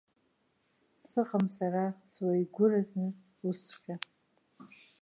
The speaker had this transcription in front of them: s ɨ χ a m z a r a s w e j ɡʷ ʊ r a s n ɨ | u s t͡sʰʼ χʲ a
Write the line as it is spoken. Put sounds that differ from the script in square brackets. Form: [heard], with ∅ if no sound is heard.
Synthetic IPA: s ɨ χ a m [s] a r a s w [a] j ɡʷ ʊ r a [z] n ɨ | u s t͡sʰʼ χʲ a